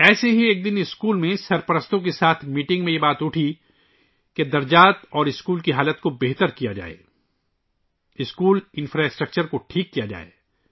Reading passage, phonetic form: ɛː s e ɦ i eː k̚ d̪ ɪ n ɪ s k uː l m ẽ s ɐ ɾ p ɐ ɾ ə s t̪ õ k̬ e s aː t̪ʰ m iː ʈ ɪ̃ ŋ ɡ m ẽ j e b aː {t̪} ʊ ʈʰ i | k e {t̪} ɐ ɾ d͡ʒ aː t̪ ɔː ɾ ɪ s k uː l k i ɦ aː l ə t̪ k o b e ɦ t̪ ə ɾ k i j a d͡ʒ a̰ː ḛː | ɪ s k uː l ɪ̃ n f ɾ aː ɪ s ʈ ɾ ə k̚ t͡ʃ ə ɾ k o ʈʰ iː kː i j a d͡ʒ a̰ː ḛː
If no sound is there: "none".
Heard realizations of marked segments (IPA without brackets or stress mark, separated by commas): t̪, d̪